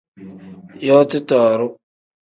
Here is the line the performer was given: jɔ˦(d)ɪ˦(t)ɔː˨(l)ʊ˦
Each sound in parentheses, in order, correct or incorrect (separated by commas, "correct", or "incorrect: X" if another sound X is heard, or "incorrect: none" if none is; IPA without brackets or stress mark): incorrect: t, correct, incorrect: ɾ